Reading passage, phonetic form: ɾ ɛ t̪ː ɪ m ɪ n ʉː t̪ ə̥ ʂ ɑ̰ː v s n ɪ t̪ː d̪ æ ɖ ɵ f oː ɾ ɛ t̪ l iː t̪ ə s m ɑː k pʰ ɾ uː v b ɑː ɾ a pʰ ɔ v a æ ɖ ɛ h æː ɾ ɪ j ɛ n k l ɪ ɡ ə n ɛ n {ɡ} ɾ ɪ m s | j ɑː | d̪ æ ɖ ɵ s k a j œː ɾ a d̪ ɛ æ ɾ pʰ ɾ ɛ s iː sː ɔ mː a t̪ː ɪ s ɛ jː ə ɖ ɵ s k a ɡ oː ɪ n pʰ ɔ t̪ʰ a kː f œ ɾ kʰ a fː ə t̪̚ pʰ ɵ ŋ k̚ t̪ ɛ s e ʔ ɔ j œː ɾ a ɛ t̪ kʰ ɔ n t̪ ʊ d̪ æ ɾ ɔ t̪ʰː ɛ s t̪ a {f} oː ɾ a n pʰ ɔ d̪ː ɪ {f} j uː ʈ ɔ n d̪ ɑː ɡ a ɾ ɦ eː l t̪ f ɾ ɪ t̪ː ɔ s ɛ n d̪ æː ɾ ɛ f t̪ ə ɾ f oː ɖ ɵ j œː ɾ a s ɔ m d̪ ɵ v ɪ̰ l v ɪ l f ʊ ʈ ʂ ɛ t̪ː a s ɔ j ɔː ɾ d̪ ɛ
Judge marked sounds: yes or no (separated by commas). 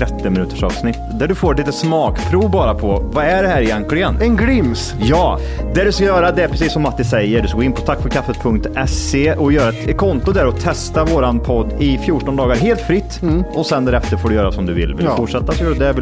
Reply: yes, no, yes